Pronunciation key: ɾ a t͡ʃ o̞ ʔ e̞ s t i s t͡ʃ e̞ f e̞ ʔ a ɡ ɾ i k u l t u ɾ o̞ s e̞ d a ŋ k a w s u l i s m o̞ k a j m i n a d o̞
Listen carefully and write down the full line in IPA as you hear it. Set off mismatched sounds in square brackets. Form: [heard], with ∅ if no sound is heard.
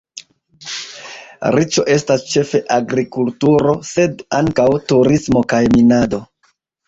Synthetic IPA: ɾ [i] t͡ʃ o̞ ʔ e̞ s t [a] s t͡ʃ e̞ f e̞ ʔ a ɡ ɾ i k u l t u ɾ o̞ s e̞ d a ŋ k a w [t] u [ɾ] i s m o̞ k a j m i n a d o̞